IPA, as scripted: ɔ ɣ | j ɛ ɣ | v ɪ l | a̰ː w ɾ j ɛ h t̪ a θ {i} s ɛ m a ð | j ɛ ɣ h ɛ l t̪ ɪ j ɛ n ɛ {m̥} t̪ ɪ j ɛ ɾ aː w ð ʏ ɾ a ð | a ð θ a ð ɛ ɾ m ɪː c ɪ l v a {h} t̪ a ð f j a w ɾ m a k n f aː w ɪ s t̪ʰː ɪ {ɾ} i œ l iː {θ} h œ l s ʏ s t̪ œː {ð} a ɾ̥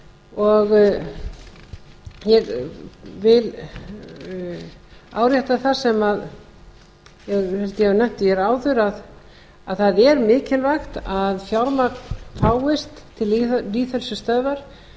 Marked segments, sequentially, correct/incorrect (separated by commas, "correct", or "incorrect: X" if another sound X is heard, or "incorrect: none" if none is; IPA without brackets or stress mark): incorrect: a, correct, incorrect: x, incorrect: l, correct, incorrect: v